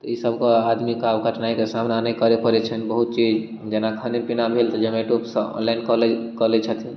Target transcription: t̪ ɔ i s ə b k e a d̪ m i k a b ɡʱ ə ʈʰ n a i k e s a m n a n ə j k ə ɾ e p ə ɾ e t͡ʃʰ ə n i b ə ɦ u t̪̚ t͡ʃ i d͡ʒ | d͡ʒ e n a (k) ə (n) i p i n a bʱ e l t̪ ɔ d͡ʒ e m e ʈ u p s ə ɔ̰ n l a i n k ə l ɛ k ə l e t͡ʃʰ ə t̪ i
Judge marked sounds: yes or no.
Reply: no, yes

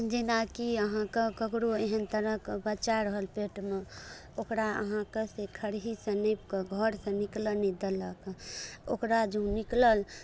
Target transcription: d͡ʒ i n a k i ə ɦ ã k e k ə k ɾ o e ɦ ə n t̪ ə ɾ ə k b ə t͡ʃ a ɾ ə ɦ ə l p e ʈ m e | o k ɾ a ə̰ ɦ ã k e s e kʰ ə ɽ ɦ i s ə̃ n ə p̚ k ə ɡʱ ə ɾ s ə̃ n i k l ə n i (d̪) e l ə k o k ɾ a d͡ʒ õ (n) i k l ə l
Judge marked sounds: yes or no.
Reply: yes, yes

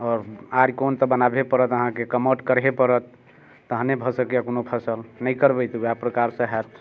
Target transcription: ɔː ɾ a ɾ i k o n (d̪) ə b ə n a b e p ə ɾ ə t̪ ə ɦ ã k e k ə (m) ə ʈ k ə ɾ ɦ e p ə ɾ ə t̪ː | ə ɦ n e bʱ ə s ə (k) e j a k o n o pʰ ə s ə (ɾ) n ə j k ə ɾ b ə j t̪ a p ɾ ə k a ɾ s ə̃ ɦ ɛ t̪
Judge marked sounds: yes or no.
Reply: no, yes, yes, no

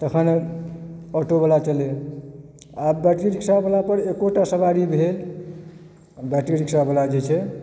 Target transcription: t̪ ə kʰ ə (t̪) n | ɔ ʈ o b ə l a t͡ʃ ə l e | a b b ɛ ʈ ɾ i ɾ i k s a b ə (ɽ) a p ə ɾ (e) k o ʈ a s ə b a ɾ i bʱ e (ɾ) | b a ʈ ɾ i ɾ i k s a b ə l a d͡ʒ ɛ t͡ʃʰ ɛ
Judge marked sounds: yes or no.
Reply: no, no, yes, no

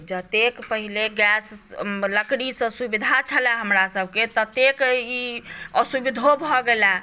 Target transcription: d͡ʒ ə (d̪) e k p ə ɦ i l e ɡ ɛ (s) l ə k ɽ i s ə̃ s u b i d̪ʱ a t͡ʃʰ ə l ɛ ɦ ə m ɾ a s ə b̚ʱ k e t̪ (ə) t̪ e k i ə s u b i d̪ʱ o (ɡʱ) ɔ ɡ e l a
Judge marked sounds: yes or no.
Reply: no, yes, yes, no

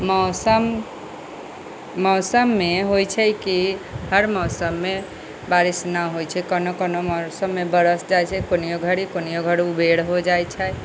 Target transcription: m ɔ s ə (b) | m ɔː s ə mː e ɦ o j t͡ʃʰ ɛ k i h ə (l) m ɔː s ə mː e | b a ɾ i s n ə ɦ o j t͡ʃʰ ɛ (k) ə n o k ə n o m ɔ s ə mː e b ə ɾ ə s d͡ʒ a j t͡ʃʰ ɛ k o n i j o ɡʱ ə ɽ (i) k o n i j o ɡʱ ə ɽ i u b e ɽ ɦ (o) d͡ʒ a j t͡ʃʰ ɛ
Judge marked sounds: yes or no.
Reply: no, no, yes, yes, yes

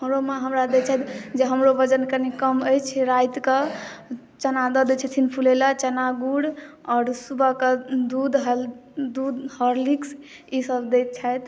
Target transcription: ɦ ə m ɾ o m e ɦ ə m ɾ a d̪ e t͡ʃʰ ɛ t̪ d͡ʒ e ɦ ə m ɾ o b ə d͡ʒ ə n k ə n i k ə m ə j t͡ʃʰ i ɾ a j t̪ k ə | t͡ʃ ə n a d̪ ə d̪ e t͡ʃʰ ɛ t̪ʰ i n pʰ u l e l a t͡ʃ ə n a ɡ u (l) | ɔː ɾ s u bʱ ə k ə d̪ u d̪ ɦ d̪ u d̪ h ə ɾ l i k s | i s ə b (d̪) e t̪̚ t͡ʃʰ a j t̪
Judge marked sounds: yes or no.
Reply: no, yes

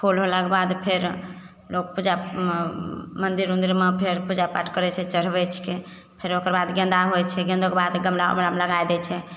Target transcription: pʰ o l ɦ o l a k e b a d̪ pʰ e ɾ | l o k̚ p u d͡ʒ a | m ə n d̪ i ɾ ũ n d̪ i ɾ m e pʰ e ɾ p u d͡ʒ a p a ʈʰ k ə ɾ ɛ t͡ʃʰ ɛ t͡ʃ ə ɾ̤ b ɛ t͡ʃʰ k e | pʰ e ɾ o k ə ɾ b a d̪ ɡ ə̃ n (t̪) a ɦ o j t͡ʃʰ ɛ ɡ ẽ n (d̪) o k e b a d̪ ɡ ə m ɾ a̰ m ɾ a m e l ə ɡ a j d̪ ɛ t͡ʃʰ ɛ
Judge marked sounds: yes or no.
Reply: no, yes

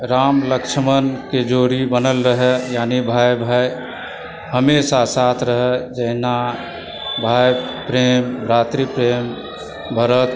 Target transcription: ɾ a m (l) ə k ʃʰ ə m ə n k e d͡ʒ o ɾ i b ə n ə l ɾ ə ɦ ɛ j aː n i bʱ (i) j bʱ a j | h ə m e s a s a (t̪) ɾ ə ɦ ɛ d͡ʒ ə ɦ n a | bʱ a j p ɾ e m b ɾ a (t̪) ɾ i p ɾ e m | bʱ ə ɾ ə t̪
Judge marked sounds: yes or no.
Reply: yes, no, no, yes

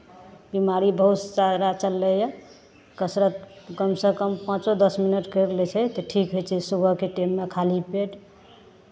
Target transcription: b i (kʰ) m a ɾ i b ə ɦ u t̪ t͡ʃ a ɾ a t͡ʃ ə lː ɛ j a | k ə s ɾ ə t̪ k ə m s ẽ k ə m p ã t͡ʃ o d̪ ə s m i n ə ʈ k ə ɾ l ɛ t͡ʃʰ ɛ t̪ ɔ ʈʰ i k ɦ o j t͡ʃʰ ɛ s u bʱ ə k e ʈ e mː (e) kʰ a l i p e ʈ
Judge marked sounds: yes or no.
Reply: no, yes

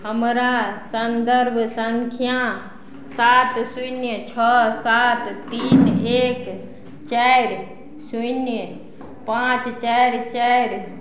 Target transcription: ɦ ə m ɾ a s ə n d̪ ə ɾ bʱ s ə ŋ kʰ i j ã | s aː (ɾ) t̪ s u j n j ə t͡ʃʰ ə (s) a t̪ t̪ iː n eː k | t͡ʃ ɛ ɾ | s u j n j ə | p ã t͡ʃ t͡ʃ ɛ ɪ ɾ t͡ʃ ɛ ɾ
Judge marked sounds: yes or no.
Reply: no, yes

